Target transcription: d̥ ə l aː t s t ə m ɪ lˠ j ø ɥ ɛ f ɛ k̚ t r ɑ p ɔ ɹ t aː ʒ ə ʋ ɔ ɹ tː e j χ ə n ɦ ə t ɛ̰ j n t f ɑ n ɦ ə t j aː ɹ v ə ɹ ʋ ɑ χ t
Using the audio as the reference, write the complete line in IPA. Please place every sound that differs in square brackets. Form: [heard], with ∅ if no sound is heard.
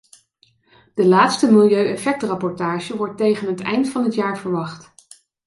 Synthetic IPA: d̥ ə l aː t s t ə m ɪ lˠ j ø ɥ ɛ f ɛ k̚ t r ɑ p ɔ ɹ t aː ʒ ə ʋ ɔ ɹ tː e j χ ə n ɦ ə t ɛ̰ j n t f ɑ n ɦ ə t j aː ɹ v ə ɹ ʋ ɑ χ t